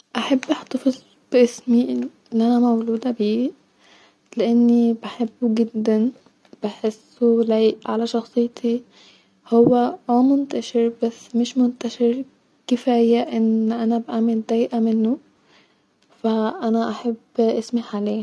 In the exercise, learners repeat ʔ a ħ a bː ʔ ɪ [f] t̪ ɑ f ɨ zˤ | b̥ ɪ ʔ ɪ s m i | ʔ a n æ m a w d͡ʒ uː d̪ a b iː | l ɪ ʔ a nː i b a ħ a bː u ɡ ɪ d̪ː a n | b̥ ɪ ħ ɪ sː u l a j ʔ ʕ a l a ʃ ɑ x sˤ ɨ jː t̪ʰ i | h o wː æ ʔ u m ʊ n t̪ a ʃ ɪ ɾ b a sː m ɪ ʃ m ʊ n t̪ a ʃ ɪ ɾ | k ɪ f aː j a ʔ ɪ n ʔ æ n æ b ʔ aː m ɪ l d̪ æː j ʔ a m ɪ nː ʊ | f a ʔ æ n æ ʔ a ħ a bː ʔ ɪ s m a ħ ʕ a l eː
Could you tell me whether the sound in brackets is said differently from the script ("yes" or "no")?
yes